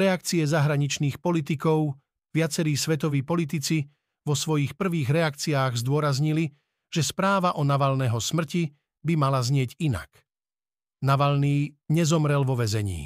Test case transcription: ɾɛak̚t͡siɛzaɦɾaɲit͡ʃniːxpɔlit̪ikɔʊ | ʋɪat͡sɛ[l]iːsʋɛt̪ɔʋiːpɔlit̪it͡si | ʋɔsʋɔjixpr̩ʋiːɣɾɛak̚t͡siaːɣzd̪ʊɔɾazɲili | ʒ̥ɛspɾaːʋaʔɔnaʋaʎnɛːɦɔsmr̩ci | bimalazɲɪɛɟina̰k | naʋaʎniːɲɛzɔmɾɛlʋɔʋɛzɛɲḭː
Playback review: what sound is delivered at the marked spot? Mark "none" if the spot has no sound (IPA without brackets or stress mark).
ɾ